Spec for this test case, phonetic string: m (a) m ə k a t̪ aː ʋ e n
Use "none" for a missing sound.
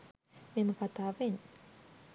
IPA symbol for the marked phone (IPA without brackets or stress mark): e